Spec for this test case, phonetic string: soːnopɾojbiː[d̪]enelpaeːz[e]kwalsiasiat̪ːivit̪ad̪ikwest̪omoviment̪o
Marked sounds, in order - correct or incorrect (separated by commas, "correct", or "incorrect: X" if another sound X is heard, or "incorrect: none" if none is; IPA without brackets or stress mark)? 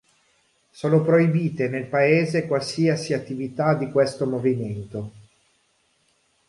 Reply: incorrect: t̪, correct